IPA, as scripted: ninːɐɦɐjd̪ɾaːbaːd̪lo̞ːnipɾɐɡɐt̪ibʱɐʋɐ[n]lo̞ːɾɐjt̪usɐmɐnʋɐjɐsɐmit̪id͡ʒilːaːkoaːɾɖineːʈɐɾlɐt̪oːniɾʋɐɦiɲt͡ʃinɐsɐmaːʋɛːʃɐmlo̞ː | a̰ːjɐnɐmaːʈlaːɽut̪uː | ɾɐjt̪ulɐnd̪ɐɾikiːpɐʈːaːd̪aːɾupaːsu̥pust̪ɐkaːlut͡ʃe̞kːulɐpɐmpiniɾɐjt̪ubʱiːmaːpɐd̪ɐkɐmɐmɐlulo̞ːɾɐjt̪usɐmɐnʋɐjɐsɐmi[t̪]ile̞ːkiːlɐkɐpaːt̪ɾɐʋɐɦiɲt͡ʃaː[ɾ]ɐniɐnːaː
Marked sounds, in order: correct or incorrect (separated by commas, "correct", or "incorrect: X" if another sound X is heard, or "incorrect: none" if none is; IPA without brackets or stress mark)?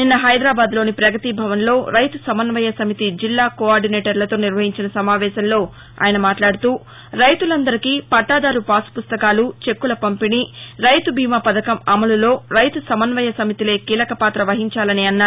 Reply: correct, correct, incorrect: l